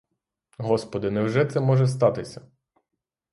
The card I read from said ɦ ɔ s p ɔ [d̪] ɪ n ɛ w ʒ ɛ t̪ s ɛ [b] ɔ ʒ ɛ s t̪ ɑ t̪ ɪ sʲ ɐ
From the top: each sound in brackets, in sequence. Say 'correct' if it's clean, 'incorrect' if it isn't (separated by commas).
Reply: correct, incorrect